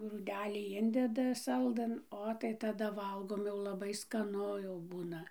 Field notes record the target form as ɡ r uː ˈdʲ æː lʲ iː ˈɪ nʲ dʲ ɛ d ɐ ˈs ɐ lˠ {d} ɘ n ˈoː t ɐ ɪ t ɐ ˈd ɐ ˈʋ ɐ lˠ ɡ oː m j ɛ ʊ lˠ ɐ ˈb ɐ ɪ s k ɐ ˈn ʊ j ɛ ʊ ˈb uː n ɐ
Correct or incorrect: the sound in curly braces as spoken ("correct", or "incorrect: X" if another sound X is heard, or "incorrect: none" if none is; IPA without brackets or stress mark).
correct